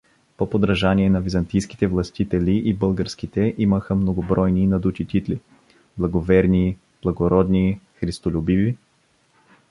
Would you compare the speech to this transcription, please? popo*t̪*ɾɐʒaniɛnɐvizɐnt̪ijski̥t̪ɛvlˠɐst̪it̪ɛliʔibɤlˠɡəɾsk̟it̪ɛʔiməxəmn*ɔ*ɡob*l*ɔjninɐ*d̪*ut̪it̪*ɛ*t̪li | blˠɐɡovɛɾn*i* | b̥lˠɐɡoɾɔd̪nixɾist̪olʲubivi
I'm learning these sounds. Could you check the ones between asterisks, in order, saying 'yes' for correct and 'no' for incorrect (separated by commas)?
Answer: no, no, no, yes, no, yes